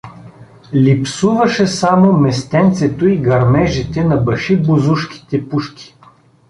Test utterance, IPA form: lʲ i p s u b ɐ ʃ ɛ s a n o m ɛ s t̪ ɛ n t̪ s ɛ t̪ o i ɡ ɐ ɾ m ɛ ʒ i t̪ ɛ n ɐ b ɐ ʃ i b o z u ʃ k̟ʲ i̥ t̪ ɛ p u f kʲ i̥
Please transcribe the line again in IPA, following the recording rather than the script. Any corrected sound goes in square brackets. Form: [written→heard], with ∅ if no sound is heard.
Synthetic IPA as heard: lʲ i p s u [b→v] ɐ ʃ ɛ s a [n→m] o m ɛ s t̪ ɛ n t̪ s ɛ t̪ o i ɡ ɐ ɾ m ɛ ʒ i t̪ ɛ n ɐ b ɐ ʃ i b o z u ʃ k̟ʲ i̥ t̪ ɛ p u [f→ʃ] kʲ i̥